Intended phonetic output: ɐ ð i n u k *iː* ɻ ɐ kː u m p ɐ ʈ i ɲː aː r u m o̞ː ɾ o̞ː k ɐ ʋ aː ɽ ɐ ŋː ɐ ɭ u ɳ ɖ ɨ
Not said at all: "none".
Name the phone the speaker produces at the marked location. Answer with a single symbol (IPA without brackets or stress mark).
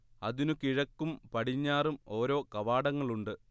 i